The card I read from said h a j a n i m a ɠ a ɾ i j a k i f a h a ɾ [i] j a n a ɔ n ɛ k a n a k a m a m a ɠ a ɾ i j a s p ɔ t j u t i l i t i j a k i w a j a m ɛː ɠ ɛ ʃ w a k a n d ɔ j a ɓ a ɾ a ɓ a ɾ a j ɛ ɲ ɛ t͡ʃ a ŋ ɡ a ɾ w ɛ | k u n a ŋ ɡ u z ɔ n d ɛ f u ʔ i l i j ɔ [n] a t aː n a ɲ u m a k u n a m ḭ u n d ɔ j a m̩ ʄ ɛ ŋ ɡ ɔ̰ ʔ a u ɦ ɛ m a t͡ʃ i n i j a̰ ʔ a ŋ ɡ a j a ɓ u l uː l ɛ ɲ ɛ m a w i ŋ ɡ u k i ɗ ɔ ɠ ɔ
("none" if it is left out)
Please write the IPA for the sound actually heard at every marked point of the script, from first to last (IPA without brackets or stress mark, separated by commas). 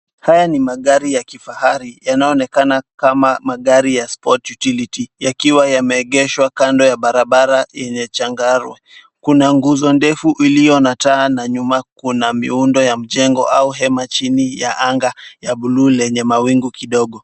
i, n